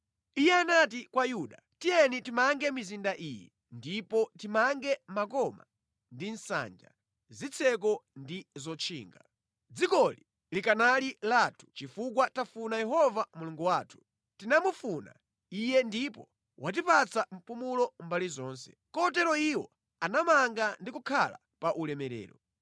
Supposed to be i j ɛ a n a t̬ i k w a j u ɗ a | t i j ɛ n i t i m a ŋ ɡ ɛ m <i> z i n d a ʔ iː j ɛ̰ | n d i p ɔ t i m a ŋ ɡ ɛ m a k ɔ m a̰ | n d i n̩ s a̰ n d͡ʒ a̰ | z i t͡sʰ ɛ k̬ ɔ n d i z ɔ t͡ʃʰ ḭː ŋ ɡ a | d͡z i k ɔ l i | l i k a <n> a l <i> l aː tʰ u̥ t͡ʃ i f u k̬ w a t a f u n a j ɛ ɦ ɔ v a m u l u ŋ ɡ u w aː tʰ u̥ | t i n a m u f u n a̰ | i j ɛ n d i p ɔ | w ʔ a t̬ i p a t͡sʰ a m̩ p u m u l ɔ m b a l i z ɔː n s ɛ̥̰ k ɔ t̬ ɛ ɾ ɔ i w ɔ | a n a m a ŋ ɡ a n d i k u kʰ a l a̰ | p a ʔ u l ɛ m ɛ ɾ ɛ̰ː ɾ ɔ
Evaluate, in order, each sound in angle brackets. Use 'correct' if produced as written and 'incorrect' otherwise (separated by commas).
correct, correct, correct